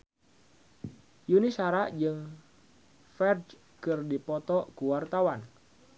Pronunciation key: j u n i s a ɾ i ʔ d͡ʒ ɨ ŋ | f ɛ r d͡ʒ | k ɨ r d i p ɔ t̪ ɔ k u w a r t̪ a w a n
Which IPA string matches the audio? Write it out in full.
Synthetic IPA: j u n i s a ɾ a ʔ d͡ʒ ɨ ŋ | f ɛ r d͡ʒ | k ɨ r d i p ɔ t̪ ɔ k u w a r t̪ a w a n